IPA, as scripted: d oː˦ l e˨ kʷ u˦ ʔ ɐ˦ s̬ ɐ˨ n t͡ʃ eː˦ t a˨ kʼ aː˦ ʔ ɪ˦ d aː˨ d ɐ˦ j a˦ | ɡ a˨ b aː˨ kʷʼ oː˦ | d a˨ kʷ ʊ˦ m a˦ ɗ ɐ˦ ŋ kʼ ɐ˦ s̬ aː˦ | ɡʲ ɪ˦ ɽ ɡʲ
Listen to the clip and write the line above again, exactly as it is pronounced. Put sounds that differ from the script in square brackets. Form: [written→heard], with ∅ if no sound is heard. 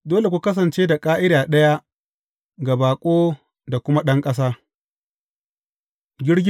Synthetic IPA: d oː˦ l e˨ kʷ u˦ [ʔ→k] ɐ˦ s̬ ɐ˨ n t͡ʃ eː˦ [t→d] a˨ kʼ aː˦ ʔ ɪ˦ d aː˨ [d→ɗ] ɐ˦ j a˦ | ɡ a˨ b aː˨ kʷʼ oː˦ | d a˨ kʷ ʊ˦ m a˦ ɗ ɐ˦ ŋ kʼ ɐ˦ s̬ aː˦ | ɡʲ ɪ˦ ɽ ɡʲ